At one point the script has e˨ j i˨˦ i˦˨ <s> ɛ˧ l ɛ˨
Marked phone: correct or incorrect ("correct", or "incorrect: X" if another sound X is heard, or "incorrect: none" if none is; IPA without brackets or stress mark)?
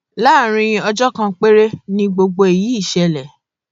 incorrect: ʃ